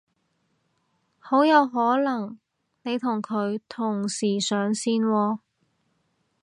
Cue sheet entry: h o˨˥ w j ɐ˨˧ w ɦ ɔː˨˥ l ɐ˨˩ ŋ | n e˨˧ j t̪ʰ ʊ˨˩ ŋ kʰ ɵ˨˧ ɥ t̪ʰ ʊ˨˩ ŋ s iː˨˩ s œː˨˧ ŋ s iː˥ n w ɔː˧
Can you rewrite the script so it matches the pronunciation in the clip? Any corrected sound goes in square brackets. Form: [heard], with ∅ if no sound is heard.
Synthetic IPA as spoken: h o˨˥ w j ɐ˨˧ w ɦ ɔː˨˥ l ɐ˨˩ ŋ | n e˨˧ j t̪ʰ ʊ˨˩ ŋ kʰ ɵ˨˧ ɥ t̪ʰ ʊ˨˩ ŋ s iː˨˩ s œː˨˧ ŋ s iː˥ n w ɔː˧